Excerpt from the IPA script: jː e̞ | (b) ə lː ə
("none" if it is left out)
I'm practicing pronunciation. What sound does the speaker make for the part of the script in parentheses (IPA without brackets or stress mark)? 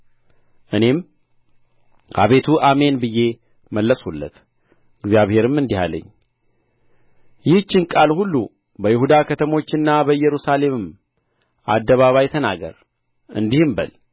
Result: m